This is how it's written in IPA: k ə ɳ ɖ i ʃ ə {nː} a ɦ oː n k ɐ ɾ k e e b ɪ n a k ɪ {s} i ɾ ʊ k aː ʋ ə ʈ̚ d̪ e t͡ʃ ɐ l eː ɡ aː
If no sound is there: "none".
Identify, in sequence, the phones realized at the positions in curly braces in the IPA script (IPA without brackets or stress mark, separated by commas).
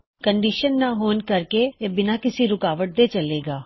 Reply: nː, s